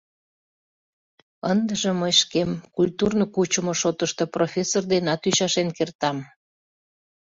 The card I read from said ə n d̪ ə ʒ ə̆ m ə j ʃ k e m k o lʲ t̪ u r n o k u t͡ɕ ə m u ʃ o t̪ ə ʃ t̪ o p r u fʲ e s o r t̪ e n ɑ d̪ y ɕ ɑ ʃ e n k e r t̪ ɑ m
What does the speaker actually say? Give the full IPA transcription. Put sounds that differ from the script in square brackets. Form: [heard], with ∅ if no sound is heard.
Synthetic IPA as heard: ə n d̪ ə ʒ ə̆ m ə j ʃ k e m k [u] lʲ t̪ u r n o k u t͡ɕ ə m [o] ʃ o t̪ ə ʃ t̪ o p r [o] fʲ e s o r [d̪] e n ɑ [t̪] y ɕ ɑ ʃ e n k e r t̪ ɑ m